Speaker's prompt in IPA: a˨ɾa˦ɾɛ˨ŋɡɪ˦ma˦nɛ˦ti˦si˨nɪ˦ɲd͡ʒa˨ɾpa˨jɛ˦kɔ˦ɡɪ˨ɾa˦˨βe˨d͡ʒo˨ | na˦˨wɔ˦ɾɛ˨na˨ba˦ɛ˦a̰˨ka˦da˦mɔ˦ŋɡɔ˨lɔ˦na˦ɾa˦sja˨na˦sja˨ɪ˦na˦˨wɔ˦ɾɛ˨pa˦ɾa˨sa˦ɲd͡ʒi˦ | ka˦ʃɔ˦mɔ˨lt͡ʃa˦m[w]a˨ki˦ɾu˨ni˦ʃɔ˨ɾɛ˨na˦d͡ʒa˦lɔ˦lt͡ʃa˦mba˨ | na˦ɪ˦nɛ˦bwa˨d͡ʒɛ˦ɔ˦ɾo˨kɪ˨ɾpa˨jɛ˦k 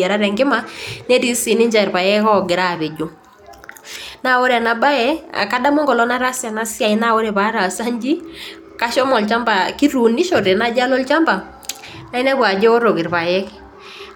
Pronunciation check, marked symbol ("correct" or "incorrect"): incorrect